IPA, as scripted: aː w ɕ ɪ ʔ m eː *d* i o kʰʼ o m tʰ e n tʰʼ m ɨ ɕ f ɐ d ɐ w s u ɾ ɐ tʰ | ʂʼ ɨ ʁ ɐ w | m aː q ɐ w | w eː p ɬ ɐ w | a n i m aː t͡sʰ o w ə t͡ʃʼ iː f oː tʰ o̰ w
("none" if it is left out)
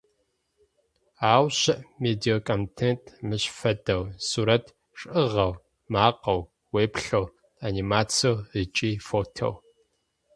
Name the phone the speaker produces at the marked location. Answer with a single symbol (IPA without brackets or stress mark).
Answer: d